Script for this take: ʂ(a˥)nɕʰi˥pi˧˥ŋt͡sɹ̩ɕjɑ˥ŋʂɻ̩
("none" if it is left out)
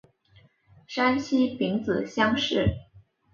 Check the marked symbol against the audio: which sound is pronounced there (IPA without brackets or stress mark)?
a˥